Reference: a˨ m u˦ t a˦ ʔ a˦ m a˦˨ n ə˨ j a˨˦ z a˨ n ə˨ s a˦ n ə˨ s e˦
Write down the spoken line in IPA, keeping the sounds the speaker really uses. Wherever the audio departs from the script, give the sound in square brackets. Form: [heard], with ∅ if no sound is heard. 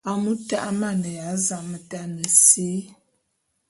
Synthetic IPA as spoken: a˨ m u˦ t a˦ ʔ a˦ m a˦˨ n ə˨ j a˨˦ z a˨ [m] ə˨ [t] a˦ n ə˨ s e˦